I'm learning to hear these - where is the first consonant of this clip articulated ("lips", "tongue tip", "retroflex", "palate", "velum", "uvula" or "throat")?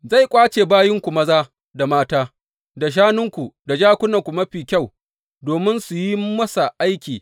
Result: tongue tip